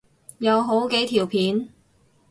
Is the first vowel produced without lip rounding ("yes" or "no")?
yes